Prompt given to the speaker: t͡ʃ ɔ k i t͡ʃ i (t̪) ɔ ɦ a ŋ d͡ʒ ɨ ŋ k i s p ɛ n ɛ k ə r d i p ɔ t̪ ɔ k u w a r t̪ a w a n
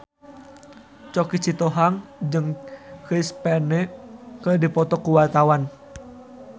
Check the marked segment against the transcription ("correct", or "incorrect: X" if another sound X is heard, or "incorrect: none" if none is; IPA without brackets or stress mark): correct